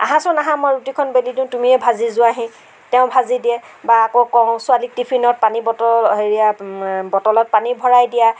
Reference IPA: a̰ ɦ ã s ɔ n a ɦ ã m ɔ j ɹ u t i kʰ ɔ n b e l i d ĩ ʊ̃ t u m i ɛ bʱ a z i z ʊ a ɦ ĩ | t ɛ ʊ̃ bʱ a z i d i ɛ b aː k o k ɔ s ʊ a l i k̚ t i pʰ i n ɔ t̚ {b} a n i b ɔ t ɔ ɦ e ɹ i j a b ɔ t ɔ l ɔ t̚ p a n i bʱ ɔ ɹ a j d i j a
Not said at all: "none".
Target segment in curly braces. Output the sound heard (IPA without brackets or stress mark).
p